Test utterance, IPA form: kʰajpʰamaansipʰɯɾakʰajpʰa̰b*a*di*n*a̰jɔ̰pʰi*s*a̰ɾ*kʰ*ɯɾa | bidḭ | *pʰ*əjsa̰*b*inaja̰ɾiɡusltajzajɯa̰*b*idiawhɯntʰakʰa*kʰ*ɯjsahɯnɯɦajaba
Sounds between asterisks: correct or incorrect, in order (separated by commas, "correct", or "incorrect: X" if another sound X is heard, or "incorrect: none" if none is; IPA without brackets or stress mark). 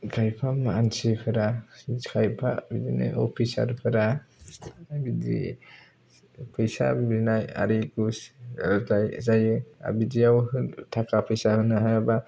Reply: incorrect: i, correct, correct, incorrect: pʰ, correct, correct, correct, incorrect: pʰ